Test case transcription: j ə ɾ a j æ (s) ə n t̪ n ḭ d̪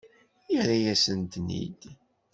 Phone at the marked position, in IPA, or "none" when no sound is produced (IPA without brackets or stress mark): s